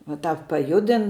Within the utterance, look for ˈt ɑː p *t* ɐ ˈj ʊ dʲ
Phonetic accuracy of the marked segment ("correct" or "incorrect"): incorrect